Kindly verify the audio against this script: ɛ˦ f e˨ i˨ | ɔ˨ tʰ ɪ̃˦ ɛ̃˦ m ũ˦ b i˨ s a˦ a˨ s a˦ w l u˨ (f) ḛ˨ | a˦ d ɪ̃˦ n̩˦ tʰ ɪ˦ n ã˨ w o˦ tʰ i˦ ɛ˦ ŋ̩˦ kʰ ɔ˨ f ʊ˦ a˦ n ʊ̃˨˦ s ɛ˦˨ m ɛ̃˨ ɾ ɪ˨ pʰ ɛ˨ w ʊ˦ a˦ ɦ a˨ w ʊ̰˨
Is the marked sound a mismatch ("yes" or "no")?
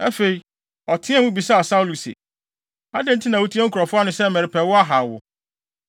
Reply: yes